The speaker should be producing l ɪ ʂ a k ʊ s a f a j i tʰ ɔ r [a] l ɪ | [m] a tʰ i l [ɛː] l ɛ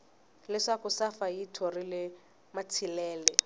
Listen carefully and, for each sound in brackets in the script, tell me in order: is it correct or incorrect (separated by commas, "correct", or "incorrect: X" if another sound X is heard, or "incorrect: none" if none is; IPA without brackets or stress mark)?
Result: incorrect: i, correct, correct